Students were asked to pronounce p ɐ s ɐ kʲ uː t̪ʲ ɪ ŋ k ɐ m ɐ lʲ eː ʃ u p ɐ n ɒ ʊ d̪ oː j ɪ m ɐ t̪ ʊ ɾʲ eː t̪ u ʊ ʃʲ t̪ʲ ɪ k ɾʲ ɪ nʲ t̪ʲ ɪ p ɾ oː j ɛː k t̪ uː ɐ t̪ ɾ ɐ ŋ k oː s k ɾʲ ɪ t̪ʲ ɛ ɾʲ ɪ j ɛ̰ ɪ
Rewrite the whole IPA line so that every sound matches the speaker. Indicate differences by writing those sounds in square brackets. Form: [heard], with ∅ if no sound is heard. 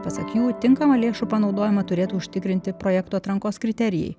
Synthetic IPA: p ɐ s ɐ kʲ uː t̪ʲ ɪ ŋ k ɐ m ɐ lʲ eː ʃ u p ɐ n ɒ ʊ d̪ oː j ɪ m ɐ t̪ ʊ ɾʲ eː t̪ u ʊ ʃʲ t̪ʲ ɪ k ɾʲ ɪ nʲ t̪ʲ ɪ p ɾ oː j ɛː k t̪ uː ɐ t̪ ɾ ɐ ŋ k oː s k ɾʲ ɪ t̪ʲ ɛ ɾʲ ɪ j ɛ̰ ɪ